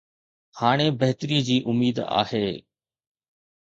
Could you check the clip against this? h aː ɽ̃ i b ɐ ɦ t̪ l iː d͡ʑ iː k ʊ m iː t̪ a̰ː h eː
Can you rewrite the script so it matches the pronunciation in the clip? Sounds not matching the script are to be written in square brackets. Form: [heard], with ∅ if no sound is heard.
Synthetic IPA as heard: h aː ɽ̃ [e] b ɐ ɦ t̪ [ɾ] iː d͡ʑ iː [ʔ] ʊ m iː [d̪] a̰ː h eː